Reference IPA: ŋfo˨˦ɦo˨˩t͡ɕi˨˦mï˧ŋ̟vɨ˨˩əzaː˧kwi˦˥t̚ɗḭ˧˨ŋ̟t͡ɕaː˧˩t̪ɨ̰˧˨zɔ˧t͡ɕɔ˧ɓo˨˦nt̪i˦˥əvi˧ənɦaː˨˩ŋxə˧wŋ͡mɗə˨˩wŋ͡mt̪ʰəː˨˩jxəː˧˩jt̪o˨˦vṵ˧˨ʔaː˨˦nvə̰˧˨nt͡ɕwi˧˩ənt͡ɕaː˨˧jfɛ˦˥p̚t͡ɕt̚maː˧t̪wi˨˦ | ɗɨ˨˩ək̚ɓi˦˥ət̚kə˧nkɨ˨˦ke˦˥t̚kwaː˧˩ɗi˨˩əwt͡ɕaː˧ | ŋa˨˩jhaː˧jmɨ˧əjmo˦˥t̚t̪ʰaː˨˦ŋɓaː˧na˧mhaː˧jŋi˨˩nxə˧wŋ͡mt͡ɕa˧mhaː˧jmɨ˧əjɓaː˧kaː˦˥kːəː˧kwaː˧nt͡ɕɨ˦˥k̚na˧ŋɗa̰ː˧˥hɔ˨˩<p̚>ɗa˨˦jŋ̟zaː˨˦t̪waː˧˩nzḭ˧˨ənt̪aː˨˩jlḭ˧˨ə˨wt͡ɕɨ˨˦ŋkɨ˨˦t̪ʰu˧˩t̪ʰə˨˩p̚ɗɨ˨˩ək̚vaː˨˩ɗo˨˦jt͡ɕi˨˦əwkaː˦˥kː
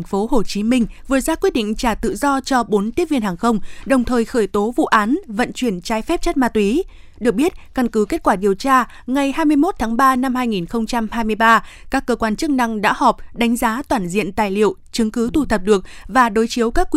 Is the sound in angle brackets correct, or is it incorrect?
correct